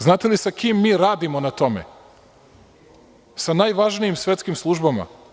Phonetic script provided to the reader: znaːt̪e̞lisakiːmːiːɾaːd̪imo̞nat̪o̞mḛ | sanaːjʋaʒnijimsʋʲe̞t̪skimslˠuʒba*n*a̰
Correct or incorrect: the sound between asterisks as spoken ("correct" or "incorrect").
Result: incorrect